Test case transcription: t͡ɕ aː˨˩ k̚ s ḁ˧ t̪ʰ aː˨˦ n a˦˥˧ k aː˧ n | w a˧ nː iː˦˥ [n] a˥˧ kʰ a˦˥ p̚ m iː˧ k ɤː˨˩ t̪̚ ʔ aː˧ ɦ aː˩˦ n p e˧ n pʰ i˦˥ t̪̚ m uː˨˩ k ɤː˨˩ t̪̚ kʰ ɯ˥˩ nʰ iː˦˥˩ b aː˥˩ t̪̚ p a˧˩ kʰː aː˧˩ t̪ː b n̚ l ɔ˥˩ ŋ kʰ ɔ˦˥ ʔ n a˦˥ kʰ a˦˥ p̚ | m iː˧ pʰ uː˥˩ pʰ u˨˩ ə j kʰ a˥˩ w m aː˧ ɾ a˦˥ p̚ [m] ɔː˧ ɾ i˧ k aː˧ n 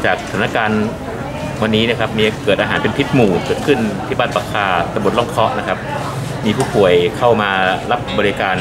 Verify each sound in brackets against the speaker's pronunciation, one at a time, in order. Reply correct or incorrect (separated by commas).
correct, incorrect